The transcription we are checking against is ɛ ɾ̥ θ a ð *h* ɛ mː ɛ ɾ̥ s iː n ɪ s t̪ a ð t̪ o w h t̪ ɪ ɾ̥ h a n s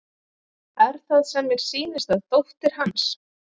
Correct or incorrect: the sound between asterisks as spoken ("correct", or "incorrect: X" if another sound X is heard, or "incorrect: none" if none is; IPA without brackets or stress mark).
incorrect: s